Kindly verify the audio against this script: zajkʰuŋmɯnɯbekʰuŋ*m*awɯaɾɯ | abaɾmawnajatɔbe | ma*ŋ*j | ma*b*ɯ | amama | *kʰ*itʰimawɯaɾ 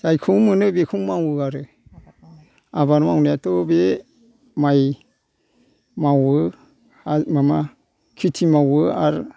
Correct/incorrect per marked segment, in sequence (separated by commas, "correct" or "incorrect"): correct, incorrect, incorrect, correct